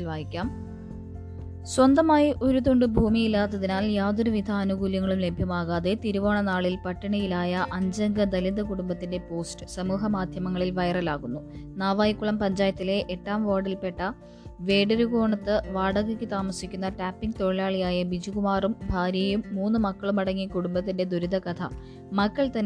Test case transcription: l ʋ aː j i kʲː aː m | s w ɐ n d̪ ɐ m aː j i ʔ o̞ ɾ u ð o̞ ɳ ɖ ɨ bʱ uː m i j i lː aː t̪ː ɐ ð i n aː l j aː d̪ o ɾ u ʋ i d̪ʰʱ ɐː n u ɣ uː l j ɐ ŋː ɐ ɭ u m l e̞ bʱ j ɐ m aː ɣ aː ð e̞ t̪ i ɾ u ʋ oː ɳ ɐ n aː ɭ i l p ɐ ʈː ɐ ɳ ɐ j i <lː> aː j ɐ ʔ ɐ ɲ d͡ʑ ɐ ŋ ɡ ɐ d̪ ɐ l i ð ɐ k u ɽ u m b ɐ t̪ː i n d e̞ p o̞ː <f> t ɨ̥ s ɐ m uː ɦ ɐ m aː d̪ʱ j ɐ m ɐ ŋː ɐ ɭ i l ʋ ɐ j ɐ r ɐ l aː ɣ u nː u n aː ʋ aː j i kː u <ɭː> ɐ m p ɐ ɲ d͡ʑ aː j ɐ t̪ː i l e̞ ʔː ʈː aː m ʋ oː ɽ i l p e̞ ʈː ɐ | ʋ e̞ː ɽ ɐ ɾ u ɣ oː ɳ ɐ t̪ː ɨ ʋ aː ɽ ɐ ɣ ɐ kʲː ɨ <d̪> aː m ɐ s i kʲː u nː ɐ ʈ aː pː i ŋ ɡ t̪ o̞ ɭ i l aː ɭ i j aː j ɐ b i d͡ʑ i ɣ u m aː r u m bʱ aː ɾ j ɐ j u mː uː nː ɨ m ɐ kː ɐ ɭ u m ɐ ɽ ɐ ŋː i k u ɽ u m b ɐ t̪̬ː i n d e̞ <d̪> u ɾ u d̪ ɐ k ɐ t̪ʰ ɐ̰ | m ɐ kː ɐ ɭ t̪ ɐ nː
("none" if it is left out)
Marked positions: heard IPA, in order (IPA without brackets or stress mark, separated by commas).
l, s, ɭ, t̪, d̪